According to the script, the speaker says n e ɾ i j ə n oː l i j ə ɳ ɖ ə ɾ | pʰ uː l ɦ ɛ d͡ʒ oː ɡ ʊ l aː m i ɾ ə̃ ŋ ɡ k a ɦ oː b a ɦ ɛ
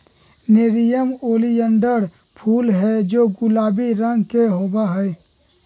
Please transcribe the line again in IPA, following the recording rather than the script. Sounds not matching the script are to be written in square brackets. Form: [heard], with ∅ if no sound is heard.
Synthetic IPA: n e ɾ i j ə [m] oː l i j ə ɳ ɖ ə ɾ | pʰ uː l ɦ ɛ d͡ʒ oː ɡ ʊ l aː [b] i ɾ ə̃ ŋ ɡ k [e] ɦ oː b a ɦ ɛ